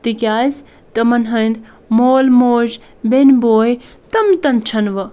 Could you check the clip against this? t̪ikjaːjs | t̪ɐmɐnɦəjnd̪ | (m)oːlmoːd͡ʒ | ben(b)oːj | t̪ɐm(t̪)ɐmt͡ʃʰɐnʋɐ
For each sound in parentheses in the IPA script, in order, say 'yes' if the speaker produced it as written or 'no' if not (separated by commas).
yes, yes, yes